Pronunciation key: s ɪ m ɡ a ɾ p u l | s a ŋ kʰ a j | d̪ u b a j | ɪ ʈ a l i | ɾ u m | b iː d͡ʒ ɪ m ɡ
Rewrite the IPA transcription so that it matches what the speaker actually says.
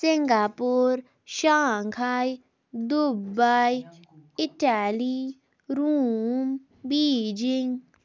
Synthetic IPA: s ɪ ŋ ɡ a p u ɾ | ʃ a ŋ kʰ a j | d̪ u b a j | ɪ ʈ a l i | ɾ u m | b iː d͡ʒ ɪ ŋ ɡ

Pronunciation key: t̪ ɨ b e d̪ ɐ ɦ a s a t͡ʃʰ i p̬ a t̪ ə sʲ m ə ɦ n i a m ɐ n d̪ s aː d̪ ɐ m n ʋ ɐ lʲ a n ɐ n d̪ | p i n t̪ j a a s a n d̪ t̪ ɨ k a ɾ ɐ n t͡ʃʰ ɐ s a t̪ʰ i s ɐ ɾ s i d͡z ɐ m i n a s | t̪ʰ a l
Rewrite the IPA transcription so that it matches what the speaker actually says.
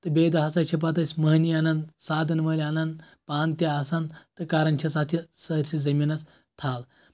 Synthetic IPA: t̪ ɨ b e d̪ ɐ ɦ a s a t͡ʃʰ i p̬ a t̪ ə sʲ m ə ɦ n i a n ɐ n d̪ s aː d̪ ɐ n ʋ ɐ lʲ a n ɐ n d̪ | p a n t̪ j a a s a n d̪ t̪ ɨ k a ɾ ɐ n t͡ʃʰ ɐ s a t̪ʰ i s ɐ ɾ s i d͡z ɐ m i n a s | t̪ʰ a l

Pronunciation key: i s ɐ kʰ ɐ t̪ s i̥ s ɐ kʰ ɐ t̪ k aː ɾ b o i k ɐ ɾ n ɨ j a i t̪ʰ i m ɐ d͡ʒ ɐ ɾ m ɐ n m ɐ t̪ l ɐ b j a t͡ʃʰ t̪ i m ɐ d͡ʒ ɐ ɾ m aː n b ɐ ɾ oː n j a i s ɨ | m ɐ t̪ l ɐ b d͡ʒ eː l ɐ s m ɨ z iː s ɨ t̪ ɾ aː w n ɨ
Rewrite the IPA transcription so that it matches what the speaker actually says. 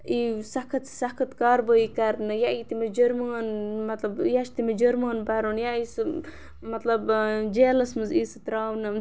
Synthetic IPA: i s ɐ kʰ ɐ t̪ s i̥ s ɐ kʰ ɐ t̪ k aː ɾ b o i k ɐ ɾ n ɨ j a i t̪ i m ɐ d͡ʒ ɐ ɾ m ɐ n m ɐ t̪ l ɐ b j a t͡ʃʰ t̪ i m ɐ d͡ʒ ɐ ɾ m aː n b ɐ ɾ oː n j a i s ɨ | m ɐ t̪ l ɐ b d͡ʒ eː l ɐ s m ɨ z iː s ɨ t̪ ɾ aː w n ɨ

